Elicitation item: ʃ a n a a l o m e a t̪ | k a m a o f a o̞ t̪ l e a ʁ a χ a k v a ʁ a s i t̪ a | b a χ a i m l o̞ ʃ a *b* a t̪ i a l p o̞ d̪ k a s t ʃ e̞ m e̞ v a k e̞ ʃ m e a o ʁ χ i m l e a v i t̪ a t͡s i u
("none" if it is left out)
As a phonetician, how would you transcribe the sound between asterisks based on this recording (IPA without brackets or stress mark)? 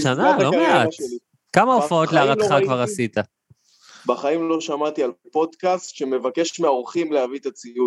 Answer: m